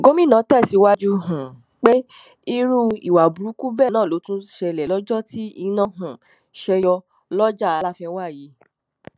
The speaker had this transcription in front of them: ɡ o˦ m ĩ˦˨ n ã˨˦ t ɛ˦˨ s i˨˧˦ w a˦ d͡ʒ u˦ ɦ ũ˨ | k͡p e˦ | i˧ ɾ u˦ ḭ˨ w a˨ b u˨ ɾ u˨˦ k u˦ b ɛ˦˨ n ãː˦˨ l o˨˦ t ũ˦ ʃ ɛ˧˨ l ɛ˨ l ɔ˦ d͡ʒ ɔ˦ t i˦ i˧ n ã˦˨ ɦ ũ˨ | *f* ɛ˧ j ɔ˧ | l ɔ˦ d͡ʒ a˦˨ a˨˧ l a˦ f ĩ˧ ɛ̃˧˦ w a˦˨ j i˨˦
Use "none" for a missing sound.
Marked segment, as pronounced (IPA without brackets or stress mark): ʃ